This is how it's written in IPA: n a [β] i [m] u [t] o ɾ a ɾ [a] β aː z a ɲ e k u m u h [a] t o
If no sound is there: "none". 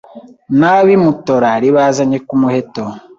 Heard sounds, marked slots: β, m, t, i, e

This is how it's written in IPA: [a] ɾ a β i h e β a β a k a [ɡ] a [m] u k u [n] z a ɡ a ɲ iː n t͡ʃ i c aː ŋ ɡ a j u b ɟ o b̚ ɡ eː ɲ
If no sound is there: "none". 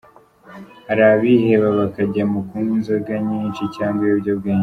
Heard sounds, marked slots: a, ɟ, m, n

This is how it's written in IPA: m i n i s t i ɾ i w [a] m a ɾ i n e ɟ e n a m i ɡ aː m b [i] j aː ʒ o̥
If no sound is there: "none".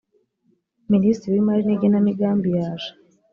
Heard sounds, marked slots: i, i

